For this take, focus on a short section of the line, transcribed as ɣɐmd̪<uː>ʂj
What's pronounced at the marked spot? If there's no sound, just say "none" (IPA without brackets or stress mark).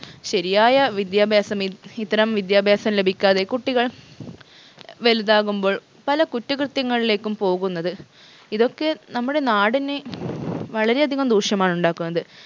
uː